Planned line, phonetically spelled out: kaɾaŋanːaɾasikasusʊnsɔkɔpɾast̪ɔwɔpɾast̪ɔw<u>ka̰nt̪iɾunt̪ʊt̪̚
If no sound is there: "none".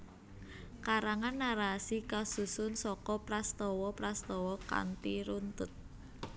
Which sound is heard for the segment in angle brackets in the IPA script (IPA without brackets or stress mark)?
ɔ